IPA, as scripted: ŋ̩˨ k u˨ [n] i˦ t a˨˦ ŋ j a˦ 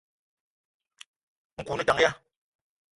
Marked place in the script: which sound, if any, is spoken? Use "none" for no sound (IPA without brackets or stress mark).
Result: n